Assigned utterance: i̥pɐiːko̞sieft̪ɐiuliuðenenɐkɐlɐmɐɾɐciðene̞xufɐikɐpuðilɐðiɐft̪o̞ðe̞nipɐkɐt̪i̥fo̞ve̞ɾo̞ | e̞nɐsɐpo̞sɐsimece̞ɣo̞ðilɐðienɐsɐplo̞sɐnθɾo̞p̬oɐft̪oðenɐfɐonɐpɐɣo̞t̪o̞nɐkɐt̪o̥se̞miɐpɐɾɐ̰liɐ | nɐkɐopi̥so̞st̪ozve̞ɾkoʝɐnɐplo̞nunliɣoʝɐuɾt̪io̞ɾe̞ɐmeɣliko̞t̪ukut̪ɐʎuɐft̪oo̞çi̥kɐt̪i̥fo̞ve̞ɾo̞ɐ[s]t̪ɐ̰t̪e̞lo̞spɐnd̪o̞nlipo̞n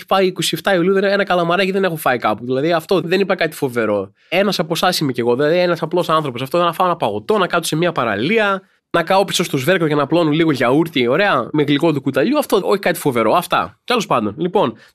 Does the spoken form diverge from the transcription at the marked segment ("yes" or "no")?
yes